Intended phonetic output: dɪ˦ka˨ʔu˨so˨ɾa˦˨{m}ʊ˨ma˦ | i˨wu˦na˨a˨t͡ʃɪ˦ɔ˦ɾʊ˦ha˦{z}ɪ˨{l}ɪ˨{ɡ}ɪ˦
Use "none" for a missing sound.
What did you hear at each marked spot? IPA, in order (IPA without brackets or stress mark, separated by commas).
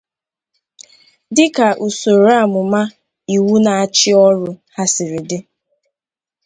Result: m, s, ɾ, d